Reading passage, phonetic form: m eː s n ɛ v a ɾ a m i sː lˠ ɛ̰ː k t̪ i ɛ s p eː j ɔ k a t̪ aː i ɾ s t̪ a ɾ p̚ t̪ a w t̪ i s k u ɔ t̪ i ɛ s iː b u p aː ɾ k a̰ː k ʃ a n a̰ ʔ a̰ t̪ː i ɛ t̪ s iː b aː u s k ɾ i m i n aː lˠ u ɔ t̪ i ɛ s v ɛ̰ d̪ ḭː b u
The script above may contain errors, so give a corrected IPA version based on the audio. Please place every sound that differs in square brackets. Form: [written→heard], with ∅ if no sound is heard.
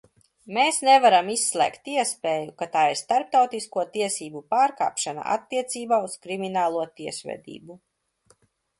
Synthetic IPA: m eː s n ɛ v a ɾ a m i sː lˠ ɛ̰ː k t̪ i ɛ s p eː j [ɔ→u] k a t̪ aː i ɾ s t̪ a ɾ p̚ t̪ a w t̪ i s k u ɔ t̪ i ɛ s iː b u p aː ɾ k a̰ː [k→p] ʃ a n a̰ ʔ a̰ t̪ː i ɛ t̪ s iː b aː u s k ɾ i m i n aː lˠ u ɔ t̪ i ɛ s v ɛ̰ d̪ ḭː b u